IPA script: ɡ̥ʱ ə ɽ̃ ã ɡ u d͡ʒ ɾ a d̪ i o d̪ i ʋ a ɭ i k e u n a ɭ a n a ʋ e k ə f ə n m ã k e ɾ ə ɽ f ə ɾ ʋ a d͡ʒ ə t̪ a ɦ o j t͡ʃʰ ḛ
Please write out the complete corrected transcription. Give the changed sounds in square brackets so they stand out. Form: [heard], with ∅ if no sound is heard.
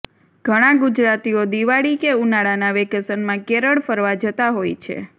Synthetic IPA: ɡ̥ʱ ə ɽ̃ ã ɡ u d͡ʒ ɾ a [t̪] i o d̪ i ʋ a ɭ i k e u n a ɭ a n a ʋ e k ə [s] ə n m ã k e ɾ ə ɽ f ə ɾ ʋ a d͡ʒ ə t̪ a ɦ o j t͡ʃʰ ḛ